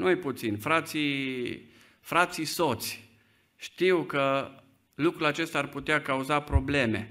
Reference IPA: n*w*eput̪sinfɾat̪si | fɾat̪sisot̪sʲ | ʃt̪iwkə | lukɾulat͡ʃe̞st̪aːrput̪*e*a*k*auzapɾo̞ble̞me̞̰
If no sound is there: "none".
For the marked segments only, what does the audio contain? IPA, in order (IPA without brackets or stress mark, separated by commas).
u, e, k